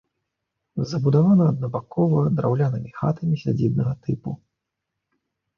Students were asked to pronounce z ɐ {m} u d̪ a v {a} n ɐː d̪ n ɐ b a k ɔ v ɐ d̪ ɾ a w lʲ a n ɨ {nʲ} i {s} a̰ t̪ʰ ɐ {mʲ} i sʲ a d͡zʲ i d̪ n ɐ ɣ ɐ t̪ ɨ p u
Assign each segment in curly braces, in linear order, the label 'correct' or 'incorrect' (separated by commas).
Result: incorrect, correct, incorrect, incorrect, correct